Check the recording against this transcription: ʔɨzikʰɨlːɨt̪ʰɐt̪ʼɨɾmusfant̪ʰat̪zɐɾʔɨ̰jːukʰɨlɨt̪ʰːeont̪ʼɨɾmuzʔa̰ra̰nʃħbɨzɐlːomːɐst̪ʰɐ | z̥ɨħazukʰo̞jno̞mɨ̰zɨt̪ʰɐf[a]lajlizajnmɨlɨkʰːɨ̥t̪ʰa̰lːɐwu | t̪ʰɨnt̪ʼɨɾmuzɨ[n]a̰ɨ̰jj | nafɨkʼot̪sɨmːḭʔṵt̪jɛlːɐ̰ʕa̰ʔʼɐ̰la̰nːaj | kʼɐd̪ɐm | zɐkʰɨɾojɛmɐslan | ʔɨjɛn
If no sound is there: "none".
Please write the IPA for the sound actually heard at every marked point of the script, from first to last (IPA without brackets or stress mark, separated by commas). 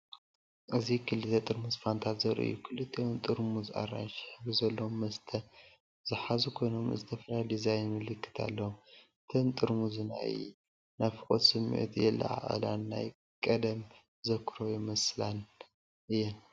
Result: ɐ, n